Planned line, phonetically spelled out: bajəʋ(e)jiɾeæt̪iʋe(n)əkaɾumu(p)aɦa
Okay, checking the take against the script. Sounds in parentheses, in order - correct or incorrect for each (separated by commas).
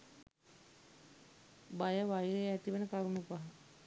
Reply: incorrect, correct, correct